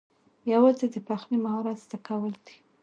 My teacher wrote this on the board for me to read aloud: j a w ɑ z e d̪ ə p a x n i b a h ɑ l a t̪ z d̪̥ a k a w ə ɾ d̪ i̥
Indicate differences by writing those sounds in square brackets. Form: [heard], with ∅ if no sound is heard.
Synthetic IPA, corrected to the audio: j a w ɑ z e d̪ ə p a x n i [m] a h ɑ [ɾ] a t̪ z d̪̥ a k a w ə [l] d̪ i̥